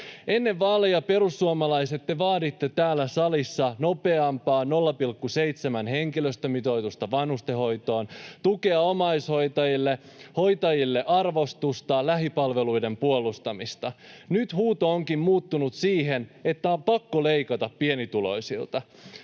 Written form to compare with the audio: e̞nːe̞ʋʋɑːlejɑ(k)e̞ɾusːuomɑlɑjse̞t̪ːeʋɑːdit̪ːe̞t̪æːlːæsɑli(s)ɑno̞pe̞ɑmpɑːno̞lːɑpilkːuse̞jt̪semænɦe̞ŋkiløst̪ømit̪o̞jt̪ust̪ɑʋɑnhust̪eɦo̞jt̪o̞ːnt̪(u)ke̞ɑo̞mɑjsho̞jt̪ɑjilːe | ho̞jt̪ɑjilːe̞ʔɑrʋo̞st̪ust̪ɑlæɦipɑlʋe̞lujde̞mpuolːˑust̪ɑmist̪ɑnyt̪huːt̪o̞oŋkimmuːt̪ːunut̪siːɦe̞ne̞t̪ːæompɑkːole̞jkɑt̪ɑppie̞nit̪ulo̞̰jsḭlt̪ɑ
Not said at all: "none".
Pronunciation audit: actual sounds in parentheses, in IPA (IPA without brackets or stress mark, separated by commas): p, sː, u